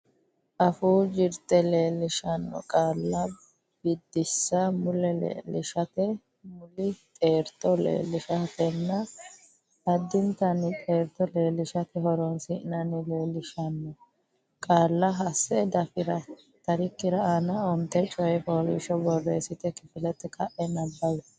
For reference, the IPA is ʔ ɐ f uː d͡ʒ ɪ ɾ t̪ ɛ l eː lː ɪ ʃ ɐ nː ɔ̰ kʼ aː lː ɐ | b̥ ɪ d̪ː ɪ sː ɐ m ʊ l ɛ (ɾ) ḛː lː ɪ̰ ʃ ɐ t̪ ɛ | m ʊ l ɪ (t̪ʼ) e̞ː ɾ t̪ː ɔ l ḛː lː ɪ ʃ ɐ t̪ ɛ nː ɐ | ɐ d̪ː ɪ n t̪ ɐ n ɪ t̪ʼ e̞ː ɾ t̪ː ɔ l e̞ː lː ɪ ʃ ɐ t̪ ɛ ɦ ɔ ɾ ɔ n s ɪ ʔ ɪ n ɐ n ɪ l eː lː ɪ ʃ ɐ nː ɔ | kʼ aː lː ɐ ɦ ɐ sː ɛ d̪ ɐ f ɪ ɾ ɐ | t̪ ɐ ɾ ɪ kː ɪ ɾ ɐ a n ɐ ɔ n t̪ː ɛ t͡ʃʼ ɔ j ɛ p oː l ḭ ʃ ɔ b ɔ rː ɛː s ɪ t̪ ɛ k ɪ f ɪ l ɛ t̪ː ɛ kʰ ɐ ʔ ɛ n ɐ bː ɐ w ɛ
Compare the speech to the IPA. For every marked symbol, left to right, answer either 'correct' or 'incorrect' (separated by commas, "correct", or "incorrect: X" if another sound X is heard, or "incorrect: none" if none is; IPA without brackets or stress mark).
incorrect: l, correct